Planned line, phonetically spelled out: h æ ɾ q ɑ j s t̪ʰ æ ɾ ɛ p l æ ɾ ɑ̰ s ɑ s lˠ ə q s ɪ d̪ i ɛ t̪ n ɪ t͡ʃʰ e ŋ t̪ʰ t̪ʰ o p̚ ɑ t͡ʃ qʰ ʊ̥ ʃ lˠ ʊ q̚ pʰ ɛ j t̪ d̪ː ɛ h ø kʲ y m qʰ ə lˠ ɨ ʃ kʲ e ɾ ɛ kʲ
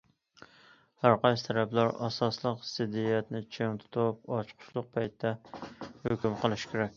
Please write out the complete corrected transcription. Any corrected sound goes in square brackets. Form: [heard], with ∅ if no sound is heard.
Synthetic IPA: h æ ɾ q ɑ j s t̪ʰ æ ɾ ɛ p l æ ɾ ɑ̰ s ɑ s lˠ ə q s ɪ d̪ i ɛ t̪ n ɪ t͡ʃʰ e ŋ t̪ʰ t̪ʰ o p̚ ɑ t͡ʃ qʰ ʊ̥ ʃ lˠ ʊ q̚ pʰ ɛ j t̪ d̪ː ɛ h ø kʲ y m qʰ ə lˠ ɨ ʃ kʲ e ɾ ɛ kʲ